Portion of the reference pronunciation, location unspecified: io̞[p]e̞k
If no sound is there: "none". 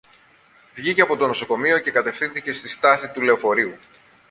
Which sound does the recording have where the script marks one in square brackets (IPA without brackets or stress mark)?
c